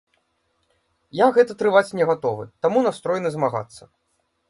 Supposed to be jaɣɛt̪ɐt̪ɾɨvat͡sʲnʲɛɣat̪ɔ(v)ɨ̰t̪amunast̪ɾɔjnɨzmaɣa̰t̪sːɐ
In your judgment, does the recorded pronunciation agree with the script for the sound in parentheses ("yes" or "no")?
yes